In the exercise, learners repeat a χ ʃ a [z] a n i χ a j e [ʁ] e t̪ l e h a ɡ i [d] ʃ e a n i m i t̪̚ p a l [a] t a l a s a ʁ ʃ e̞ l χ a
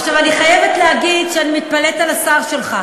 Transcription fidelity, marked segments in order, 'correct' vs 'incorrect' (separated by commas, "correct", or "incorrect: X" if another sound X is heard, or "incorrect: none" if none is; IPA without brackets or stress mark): incorrect: v, incorrect: v, correct, incorrect: e